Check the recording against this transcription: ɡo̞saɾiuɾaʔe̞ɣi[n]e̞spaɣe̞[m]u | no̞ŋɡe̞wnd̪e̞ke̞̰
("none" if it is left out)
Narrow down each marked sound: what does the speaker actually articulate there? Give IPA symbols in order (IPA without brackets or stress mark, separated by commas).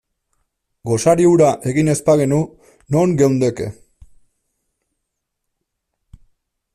n, n